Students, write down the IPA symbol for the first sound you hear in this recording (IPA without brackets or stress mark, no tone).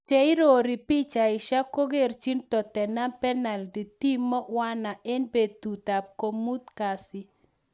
t͡ʃ